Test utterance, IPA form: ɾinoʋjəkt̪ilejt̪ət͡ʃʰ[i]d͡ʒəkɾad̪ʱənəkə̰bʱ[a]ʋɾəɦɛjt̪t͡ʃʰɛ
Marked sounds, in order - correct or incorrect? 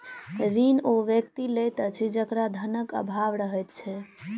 correct, correct

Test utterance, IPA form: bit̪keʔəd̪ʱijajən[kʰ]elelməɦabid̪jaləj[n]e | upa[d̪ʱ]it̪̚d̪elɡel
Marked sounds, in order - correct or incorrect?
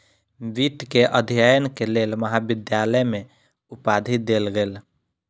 incorrect: k, incorrect: m, correct

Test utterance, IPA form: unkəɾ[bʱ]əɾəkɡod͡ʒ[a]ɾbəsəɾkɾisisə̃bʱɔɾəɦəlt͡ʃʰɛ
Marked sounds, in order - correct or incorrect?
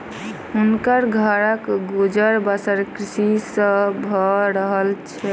incorrect: ɡʱ, incorrect: ə

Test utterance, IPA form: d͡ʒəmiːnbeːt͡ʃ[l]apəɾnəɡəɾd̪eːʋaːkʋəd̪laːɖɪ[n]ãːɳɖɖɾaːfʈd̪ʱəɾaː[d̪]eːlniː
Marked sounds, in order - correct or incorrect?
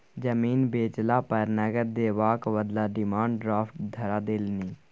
correct, incorrect: m, correct

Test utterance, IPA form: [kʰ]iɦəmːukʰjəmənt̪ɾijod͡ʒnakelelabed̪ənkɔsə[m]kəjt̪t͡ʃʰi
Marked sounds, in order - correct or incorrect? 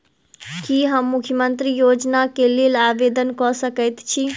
incorrect: k, incorrect: none

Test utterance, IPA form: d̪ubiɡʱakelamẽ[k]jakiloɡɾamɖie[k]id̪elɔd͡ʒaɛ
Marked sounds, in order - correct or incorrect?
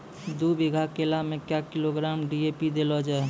correct, incorrect: p

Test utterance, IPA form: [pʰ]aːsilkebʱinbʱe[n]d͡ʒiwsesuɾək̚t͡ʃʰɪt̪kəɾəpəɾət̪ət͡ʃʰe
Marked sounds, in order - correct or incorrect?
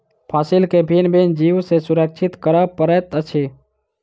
correct, correct

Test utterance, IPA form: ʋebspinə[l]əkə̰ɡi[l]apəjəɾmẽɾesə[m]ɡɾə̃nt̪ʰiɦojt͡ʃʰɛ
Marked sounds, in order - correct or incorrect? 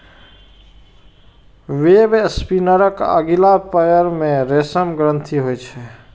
incorrect: ɾ, correct, correct

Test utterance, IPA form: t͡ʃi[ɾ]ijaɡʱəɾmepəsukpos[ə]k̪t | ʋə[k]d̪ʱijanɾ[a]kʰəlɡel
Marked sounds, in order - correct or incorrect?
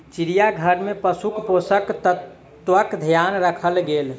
correct, correct, correct, incorrect: ə

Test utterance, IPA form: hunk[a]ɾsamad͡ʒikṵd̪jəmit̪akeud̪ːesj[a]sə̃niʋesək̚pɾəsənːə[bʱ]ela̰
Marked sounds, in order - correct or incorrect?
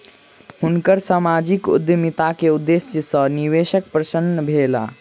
incorrect: ə, incorrect: ə, correct

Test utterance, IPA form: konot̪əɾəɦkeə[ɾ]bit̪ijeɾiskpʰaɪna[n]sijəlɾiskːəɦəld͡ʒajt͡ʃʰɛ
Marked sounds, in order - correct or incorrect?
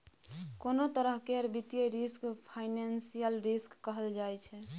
correct, correct

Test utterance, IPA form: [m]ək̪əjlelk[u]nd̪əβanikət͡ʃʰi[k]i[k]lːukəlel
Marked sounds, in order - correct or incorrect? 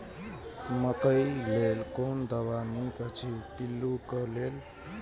correct, incorrect: o, incorrect: p, incorrect: none

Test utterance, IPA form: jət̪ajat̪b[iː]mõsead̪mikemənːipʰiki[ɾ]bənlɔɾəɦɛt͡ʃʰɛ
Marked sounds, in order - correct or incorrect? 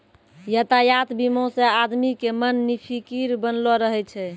incorrect: i, correct

